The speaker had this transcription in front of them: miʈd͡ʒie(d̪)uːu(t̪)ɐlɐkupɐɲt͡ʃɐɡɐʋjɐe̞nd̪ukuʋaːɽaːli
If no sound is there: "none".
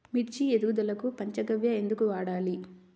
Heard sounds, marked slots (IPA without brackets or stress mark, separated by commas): d̪, d̪